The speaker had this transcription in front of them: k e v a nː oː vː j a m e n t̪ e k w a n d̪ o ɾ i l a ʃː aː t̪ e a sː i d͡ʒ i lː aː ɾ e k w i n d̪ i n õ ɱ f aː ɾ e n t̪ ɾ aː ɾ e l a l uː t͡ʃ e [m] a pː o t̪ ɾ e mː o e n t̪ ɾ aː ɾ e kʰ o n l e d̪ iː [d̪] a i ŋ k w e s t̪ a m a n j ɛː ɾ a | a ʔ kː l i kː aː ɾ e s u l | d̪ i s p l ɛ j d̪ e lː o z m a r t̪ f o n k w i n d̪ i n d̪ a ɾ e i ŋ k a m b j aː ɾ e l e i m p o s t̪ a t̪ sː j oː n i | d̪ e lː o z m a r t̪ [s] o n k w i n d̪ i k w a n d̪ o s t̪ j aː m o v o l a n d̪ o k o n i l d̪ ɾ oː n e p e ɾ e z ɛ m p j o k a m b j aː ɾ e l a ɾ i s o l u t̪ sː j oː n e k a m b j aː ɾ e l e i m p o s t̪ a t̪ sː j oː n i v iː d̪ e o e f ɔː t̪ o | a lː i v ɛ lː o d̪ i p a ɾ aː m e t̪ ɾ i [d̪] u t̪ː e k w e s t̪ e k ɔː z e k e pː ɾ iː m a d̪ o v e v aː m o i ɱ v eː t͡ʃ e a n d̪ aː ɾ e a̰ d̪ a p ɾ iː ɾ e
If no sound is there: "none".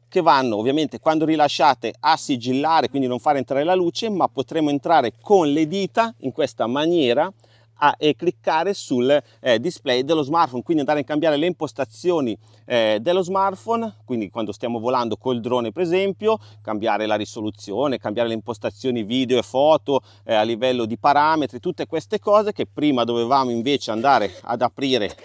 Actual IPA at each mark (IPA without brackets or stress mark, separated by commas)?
m, t̪, f, t̪